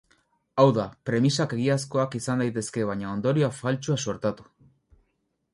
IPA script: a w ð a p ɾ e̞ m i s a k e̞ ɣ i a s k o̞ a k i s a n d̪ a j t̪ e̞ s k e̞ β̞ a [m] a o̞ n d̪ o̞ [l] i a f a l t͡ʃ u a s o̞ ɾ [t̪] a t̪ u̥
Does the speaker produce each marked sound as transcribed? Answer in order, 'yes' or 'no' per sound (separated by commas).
no, no, yes